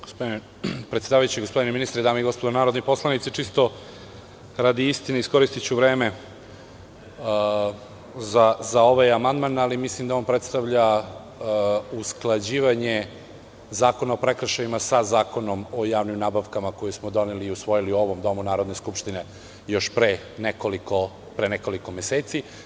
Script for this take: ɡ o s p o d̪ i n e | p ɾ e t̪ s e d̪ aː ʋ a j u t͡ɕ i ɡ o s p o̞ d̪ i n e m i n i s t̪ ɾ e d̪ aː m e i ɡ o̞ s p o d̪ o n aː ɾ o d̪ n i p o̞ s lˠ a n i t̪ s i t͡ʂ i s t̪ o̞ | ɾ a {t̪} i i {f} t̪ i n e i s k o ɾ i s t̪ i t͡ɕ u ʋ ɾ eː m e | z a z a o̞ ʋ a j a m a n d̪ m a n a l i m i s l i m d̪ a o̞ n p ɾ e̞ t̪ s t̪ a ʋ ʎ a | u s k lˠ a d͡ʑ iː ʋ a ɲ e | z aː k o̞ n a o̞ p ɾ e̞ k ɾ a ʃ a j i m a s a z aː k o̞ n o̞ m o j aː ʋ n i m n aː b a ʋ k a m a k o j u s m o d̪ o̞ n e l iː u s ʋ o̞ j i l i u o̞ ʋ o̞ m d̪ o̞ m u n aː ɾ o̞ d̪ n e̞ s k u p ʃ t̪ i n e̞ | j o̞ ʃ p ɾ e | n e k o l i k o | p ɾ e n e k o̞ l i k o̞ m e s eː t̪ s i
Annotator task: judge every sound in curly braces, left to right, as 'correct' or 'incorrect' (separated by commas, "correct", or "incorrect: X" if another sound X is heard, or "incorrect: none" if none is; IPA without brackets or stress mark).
incorrect: d̪, incorrect: s